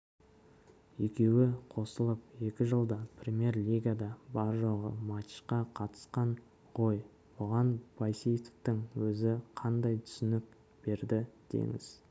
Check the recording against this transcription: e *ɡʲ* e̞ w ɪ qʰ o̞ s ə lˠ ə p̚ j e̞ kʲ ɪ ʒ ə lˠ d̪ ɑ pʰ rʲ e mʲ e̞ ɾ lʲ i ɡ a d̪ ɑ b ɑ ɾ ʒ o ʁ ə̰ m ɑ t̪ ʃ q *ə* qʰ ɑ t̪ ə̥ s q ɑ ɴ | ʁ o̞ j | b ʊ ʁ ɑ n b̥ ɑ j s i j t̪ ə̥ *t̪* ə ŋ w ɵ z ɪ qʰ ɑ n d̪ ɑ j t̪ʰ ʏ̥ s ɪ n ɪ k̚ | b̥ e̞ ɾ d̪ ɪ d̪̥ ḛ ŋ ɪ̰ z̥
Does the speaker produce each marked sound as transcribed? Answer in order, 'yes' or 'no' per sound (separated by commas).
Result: no, no, yes